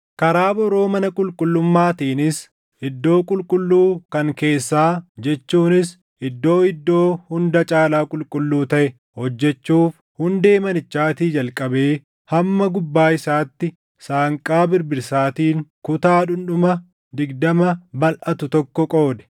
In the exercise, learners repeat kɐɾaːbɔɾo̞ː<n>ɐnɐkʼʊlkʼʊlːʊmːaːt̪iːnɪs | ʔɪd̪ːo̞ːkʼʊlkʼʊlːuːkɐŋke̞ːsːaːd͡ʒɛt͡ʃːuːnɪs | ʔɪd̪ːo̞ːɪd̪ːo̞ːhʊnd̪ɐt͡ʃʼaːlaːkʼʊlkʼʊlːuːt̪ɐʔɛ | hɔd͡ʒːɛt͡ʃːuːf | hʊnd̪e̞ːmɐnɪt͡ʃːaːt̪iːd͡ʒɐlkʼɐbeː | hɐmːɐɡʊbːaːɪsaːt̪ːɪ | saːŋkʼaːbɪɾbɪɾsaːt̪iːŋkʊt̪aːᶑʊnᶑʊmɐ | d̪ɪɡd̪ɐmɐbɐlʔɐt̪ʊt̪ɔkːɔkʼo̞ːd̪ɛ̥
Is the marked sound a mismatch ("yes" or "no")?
yes